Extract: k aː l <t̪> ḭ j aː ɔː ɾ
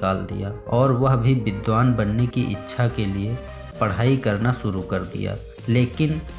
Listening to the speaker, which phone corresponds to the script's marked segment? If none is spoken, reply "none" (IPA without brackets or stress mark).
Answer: d̪